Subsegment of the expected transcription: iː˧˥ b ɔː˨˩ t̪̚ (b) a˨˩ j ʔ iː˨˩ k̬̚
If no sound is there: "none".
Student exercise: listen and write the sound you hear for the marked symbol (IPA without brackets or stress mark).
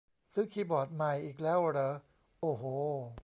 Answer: m